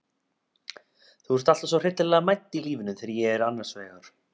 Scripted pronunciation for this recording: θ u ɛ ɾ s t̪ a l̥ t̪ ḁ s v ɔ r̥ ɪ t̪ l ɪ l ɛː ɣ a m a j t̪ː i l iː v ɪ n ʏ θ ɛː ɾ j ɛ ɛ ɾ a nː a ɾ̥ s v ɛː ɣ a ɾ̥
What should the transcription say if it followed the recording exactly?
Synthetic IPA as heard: θ u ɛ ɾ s t̪ a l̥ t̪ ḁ s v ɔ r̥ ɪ t̪ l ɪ l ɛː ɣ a m a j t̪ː i l iː v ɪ n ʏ θ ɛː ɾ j ɛ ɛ ɾ a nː a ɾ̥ s v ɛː ɣ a ɾ̥